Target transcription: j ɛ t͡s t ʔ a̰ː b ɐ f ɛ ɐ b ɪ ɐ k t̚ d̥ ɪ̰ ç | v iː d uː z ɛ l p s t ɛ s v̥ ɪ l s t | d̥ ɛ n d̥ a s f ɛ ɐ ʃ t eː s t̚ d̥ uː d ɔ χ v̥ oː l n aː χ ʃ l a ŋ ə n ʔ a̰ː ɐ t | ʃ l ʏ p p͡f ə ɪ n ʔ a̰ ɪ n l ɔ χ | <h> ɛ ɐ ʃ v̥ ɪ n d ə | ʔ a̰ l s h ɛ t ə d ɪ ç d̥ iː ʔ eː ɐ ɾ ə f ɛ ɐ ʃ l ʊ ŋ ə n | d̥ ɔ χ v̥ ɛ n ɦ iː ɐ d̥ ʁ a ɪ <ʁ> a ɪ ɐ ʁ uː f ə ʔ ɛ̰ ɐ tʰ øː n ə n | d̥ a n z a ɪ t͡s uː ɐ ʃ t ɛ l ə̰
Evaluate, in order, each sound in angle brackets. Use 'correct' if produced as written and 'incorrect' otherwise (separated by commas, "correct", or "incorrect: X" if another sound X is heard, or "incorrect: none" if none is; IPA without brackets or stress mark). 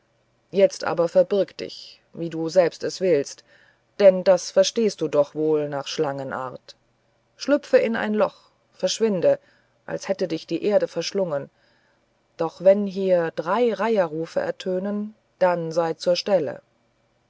incorrect: f, correct